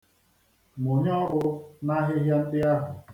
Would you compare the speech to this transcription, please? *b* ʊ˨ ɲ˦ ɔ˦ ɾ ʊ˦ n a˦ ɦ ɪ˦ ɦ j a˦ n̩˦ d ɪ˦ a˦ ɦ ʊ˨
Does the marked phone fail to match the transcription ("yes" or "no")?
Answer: yes